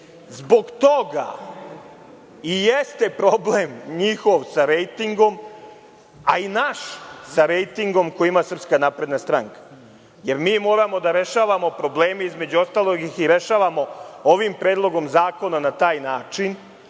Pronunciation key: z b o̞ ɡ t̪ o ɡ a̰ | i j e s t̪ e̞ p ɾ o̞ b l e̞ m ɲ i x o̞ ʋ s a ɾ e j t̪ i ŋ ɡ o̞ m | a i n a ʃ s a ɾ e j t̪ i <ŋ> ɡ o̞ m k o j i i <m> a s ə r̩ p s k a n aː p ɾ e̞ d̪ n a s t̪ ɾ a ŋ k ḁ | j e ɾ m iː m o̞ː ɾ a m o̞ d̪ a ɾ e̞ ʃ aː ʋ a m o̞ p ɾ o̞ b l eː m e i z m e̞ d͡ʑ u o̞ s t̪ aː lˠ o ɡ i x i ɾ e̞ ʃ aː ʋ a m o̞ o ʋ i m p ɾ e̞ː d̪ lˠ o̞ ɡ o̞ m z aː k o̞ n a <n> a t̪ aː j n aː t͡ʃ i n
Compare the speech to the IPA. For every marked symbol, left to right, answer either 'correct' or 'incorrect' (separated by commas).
correct, correct, correct